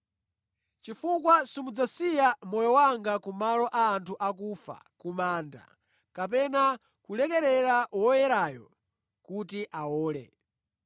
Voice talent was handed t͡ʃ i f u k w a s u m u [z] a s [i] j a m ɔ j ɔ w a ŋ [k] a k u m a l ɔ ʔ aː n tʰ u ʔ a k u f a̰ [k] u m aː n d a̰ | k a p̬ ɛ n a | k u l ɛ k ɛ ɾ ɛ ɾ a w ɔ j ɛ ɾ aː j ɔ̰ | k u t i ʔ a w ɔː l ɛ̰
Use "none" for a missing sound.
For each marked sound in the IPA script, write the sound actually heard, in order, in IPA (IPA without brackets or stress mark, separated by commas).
d͡z, i, ɡ, k